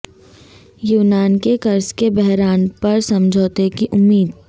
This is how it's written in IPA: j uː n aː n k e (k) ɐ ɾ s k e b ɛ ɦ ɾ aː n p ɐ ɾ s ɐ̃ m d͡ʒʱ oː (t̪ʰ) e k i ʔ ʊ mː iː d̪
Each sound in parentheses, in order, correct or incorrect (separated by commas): correct, incorrect